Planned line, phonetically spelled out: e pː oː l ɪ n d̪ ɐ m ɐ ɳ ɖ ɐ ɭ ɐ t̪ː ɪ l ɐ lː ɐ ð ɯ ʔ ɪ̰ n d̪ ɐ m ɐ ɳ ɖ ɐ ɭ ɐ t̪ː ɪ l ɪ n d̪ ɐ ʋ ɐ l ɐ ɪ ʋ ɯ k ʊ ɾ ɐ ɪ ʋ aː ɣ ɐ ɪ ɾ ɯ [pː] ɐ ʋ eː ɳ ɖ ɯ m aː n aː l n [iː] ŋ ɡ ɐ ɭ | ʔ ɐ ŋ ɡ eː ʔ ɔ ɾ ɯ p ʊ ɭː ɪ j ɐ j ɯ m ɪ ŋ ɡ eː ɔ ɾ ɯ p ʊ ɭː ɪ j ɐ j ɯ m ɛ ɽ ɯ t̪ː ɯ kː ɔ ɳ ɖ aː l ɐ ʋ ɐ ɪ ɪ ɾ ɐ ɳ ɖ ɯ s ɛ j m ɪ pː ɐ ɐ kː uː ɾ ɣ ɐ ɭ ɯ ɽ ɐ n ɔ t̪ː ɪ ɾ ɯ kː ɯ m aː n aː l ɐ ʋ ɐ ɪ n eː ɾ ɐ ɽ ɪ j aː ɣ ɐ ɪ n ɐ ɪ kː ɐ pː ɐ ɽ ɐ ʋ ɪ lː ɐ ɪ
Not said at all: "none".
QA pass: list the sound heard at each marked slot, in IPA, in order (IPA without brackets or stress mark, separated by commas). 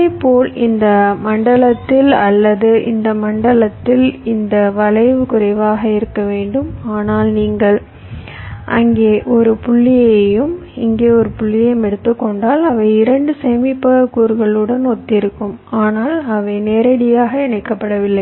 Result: kː, iː